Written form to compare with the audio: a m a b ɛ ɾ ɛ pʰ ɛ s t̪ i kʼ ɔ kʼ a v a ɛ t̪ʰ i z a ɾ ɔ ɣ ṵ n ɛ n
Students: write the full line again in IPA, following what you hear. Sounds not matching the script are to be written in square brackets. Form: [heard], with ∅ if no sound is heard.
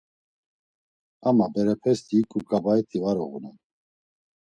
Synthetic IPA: a m a b ɛ ɾ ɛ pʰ ɛ s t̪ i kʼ [u] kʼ a [b] a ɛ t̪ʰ i [v] a ɾ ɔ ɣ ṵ n ɛ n